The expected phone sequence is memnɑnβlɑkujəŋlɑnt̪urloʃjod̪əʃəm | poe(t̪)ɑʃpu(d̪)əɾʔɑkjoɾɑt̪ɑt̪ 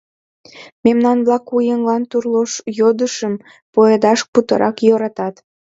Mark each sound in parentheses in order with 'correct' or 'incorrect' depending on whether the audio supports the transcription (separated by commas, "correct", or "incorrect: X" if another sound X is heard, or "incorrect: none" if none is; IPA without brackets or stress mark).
incorrect: d̪, incorrect: t̪